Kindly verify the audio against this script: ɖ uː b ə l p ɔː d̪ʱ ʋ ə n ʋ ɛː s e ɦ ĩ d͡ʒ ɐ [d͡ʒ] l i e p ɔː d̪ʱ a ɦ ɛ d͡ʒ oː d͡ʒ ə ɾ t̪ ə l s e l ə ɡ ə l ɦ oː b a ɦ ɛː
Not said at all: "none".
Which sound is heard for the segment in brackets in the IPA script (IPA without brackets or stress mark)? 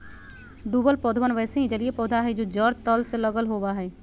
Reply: none